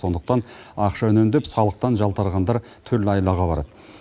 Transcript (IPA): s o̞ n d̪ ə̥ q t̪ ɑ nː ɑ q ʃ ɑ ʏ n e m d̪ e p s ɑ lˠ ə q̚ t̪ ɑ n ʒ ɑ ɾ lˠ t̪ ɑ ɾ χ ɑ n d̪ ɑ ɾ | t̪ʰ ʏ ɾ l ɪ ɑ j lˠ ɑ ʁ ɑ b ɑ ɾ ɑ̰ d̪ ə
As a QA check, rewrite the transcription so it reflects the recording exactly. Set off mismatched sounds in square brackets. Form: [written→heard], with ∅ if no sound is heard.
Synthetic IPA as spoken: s o̞ n d̪ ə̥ q t̪ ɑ [nː→n] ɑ q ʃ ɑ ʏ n e m d̪ e p s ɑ lˠ ə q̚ t̪ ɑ n ʒ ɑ [ɾ→∅] lˠ t̪ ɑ ɾ [χ→ʁ] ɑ n d̪ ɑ ɾ | t̪ʰ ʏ ɾ l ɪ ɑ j lˠ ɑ ʁ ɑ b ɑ ɾ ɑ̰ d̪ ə